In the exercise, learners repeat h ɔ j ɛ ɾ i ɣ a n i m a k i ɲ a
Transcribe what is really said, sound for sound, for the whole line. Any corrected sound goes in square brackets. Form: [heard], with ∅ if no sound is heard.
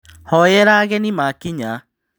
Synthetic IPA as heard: h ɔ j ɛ ɾ [a] ɣ [ɛ] n i m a k i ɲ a